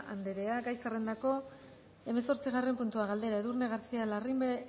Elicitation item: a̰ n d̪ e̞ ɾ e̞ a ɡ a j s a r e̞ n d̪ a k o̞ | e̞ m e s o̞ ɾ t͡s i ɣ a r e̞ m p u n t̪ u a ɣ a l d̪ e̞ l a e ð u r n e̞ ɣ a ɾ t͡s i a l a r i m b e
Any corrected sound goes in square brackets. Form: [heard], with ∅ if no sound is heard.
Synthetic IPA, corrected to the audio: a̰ n d̪ e̞ ɾ e̞ a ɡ a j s a r e̞ n d̪ a k o̞ | e̞ m e s o̞ ɾ t͡s i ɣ a r e̞ m p u n t̪ u a ɣ a l d̪ e̞ [ɾ] a e ð u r n e̞ ɣ a ɾ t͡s i a l a r i m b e